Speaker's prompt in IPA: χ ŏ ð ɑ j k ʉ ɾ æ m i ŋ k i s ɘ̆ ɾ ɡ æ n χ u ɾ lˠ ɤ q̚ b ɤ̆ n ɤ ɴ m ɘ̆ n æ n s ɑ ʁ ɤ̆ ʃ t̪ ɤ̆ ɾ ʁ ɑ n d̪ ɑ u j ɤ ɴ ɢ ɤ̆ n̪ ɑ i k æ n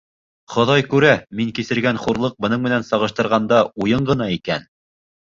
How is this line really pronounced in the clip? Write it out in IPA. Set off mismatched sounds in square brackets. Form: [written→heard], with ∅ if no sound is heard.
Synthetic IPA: χ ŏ ð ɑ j k ʉ ɾ æ m i ŋ k i s ɘ̆ ɾ ɡ æ n χ u ɾ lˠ ɤ q̚ b ɤ̆ n ɤ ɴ m ɘ̆ n æ n s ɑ ʁ ɤ̆ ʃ t̪ ɤ̆ ɾ ʁ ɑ n d̪ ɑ u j ɤ ɴ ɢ ɤ̆ n̪ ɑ i k æ n